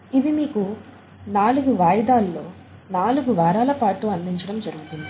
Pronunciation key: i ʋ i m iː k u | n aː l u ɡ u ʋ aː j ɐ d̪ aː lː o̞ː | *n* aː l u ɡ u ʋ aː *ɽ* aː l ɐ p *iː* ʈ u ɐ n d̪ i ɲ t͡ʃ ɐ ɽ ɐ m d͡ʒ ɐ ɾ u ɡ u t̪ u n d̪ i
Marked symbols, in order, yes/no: yes, no, no

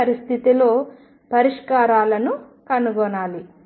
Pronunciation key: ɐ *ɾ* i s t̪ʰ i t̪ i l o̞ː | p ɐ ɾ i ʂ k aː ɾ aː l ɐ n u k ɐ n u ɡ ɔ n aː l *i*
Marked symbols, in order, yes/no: yes, yes

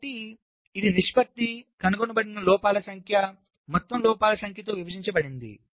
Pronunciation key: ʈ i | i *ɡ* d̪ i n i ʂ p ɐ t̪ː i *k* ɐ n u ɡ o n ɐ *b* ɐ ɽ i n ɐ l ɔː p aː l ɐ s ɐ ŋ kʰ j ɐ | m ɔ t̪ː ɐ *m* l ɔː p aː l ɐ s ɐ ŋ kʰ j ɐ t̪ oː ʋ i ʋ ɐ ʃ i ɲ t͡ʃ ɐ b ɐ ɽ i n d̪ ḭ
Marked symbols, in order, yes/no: no, yes, yes, yes

